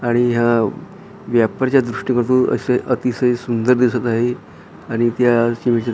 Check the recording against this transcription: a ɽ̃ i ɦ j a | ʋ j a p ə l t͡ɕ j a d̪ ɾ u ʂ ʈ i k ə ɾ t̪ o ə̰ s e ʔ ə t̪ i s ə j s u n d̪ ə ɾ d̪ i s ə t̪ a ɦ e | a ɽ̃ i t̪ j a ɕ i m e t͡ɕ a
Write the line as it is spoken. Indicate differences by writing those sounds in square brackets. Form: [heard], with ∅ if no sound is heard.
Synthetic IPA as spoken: a ɽ̃ i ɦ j a | ʋ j a p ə [ɾ] t͡ɕ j a d̪ ɾ u ʂ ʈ i k ə ɾ t̪ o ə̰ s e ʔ ə t̪ i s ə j s u n d̪ ə ɾ d̪ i s ə t̪ a ɦ e | a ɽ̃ i t̪ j a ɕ i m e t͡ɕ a